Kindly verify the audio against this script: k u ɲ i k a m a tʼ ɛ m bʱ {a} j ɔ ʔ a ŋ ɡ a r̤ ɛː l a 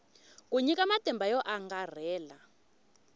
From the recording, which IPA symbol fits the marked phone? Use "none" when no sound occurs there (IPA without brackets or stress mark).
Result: a